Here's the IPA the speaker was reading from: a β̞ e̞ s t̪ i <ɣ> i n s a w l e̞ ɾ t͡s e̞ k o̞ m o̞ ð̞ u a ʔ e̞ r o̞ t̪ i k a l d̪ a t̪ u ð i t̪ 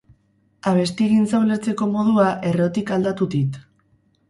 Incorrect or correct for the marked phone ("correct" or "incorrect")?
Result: correct